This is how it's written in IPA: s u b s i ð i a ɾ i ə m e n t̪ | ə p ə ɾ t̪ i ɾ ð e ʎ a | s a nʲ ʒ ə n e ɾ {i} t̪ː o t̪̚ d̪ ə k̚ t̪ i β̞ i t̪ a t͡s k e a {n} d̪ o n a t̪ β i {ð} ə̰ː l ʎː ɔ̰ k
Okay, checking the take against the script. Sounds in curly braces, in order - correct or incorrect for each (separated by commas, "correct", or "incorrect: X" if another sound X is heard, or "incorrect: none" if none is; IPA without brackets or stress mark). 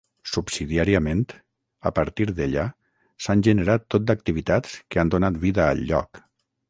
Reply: incorrect: a, correct, correct